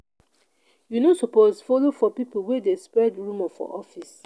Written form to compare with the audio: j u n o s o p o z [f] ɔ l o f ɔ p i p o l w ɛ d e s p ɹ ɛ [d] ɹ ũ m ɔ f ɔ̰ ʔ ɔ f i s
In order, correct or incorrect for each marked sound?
correct, correct

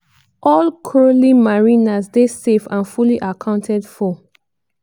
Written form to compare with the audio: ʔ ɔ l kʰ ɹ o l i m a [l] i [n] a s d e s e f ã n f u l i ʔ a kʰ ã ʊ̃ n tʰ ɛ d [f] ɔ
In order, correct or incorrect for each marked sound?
incorrect: ɹ, correct, correct

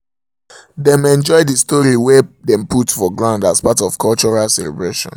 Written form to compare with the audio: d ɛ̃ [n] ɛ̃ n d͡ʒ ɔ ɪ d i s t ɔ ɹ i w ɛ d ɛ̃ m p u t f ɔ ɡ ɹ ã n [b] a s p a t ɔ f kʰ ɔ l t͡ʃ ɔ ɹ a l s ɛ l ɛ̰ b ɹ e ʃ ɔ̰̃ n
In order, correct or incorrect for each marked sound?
incorrect: m, incorrect: d

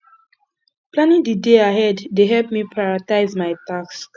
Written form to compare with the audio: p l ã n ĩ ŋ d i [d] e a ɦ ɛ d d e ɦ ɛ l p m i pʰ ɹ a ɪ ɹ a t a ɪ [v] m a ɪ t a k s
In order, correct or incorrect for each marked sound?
correct, incorrect: z

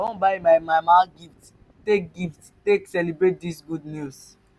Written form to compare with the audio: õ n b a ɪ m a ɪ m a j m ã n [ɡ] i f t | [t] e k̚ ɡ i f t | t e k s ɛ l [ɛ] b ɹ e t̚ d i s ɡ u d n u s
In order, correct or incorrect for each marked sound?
correct, correct, incorrect: i

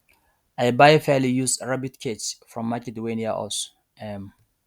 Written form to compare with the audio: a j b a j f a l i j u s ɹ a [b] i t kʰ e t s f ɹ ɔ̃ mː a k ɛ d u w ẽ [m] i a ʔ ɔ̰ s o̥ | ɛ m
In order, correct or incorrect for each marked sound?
correct, incorrect: n

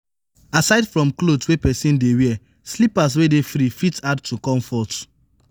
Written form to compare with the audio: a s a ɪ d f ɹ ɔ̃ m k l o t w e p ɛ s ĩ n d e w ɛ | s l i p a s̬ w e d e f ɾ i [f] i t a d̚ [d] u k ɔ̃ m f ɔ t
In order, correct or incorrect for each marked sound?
correct, incorrect: t

